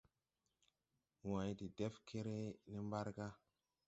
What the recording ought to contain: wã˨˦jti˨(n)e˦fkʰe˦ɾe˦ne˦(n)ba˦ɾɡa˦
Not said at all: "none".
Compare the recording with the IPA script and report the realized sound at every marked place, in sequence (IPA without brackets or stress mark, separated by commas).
d, m